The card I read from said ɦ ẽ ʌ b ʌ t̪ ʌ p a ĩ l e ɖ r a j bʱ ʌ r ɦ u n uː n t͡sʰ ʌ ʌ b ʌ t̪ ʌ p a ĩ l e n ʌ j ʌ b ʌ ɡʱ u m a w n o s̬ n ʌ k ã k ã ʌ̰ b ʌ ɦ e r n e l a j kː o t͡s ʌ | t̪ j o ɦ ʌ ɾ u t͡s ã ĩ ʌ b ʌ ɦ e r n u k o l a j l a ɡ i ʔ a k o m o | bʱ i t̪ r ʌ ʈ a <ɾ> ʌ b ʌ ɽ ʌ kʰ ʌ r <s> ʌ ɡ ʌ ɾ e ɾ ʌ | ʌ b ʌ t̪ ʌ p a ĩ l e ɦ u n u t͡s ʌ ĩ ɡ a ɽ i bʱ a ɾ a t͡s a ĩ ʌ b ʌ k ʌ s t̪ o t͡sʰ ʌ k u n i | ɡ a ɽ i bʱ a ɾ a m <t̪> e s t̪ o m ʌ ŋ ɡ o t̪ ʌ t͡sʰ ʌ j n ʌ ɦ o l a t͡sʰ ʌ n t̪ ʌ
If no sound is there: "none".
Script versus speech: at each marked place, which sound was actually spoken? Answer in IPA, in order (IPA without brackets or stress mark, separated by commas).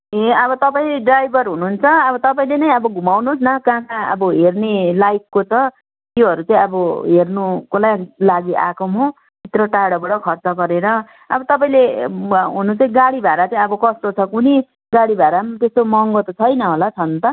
ɽ, t͡s, t̪